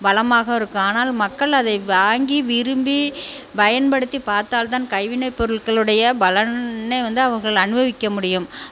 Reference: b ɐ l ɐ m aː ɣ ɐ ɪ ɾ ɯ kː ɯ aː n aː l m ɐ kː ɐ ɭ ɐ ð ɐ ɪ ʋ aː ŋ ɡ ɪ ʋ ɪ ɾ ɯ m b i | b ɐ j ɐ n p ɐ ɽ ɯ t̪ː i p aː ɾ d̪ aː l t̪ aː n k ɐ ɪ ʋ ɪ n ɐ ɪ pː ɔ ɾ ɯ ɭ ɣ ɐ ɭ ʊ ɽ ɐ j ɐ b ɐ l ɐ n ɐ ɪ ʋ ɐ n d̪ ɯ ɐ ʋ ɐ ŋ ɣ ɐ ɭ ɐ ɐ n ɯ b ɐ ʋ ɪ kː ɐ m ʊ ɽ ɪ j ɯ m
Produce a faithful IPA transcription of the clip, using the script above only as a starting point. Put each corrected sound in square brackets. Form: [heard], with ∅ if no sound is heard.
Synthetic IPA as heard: b ɐ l ɐ m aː ɣ ɐ ɪ ɾ ɯ kː ɯ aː n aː l m ɐ kː ɐ ɭ ɐ ð ɐ ɪ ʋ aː ŋ ɡ [i] ʋ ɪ ɾ ɯ m b i | b ɐ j ɐ n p ɐ ɽ ɯ t̪ː i p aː ɾ [t̪] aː l t̪ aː n k ɐ ɪ ʋ ɪ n ɐ ɪ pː ɔ ɾ ɯ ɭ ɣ ɐ ɭ [ɯ] ɽ ɐ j ɐ b ɐ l ɐ n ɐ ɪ ʋ ɐ n d̪ ɯ ɐ ʋ ɐ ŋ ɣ ɐ ɭ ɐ ɐ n ɯ b ɐ ʋ ɪ kː ɐ m ʊ ɽ ɪ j ɯ m